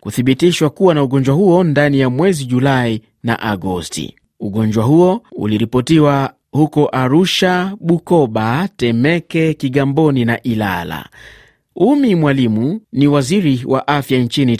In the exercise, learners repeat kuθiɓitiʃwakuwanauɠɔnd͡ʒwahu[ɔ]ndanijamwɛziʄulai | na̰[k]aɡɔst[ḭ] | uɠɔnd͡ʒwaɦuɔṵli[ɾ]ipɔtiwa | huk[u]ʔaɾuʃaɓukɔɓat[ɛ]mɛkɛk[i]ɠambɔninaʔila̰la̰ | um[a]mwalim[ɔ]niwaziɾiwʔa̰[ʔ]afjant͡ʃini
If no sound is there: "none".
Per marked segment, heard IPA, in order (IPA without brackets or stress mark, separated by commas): ɔ, ʔ, ḭ, ɾ, ɔ, ɛ, i, i, u, ʔ